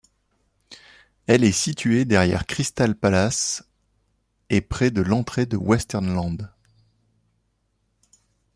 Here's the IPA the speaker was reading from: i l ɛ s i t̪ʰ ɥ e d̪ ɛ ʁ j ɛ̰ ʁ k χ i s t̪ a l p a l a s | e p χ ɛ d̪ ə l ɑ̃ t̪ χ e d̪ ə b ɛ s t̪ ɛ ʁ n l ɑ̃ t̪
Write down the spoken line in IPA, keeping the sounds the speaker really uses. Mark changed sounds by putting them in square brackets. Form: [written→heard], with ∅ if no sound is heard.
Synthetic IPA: [i→ɛ] l ɛ s i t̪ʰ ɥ e d̪ ɛ ʁ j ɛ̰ ʁ k χ i s t̪ a l p a l a s | e p χ ɛ d̪ ə l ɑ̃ t̪ χ e d̪ ə [b→w] ɛ s t̪ ɛ ʁ n l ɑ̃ [t̪→d̪]